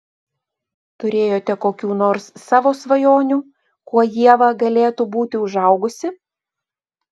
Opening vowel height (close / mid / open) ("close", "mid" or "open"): close